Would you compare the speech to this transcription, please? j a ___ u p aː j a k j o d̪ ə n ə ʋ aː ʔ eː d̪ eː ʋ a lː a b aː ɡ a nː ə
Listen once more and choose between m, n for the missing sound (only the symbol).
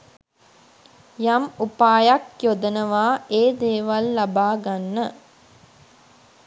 m